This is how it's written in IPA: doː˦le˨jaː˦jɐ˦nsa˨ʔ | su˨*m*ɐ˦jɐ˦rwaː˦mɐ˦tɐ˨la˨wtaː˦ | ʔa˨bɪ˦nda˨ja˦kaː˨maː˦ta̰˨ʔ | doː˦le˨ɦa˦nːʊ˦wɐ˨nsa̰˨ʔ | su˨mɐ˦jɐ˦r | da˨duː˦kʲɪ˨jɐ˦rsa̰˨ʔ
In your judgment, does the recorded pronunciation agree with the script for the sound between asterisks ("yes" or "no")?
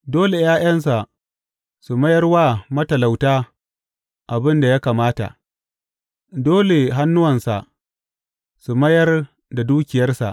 yes